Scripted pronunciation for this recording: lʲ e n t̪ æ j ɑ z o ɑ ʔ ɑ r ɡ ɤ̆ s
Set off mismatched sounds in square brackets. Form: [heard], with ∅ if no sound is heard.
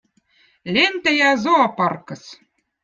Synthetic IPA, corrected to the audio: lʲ e n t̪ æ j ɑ z o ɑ [p] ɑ r [k] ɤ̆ s